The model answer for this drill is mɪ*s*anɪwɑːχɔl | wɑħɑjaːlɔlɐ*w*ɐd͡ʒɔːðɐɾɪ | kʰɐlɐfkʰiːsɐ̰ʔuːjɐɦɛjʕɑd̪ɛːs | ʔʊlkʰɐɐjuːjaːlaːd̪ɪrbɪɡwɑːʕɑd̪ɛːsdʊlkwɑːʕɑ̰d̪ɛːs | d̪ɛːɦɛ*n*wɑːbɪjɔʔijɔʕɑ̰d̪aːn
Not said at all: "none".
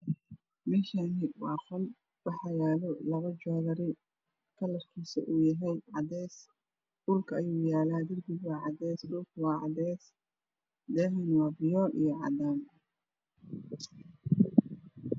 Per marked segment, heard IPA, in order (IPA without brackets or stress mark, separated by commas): ʃ, β, n